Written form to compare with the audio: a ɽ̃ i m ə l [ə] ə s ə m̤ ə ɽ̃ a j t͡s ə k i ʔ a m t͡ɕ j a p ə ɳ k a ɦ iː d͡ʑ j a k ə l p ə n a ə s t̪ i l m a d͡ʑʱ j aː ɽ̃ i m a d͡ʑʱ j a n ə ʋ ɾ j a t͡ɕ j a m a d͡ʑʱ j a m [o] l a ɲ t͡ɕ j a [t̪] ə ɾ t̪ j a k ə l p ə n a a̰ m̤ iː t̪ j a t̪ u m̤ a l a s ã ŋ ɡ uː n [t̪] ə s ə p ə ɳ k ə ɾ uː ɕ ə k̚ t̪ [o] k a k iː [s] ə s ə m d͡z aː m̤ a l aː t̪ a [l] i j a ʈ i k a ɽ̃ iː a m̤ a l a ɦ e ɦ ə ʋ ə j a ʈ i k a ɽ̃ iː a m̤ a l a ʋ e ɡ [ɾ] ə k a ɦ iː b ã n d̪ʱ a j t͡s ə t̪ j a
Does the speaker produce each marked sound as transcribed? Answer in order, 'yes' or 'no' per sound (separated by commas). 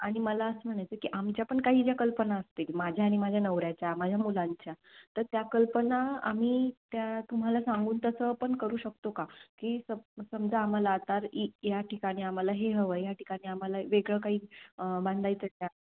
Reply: no, no, yes, yes, yes, yes, no, no